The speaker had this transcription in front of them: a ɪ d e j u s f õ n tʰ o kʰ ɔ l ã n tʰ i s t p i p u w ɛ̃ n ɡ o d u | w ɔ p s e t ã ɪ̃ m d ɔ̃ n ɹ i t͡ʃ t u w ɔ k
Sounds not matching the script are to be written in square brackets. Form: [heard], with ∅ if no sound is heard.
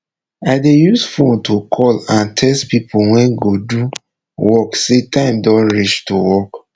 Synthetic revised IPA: a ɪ d e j u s f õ n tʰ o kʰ ɔ l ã n tʰ [ɛ] s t p i p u w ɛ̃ n ɡ o d u | w ɔ [k] s e t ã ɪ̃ m d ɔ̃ n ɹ i t͡ʃ t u w ɔ k